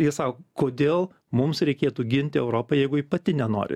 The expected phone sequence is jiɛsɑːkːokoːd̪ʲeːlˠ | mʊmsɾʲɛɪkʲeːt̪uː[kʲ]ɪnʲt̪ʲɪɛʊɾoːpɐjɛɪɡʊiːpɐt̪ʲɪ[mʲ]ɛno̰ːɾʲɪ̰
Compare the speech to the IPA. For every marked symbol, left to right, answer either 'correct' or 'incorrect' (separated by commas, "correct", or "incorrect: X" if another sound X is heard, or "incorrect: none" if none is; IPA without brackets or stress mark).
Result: incorrect: ɡʲ, incorrect: nʲ